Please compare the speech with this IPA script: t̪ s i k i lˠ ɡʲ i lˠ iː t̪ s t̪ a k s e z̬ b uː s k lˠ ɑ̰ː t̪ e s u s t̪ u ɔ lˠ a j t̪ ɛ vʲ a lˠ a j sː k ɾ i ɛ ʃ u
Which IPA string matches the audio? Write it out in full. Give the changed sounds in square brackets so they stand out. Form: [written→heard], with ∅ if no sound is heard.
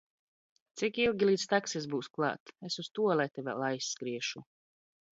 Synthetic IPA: t̪ s i k i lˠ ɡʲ i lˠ iː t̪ s t̪ a k s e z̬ b uː s k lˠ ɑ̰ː t̪ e s u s t̪ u ɔ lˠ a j t̪ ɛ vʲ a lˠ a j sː k ɾ i ɛ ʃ u